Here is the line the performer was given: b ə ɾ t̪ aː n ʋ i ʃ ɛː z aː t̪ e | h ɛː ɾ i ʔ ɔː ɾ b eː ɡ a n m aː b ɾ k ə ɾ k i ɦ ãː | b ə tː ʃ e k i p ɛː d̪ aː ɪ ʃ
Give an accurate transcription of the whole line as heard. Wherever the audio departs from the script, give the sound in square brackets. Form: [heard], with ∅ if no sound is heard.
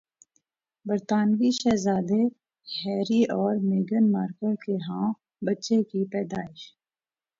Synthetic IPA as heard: b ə ɾ t̪ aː n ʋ i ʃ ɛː z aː [d̪] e | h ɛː ɾ i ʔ ɔː ɾ [m] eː ɡ [ə] n m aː [∅] ɾ k ə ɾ k [e] ɦ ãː | b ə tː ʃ e k i p ɛː d̪ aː ɪ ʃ